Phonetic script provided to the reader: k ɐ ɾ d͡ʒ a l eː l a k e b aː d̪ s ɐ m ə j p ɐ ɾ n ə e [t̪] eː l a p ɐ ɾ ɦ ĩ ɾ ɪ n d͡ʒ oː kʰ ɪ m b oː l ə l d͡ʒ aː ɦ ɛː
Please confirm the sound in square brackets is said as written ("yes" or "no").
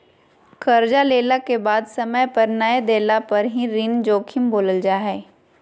no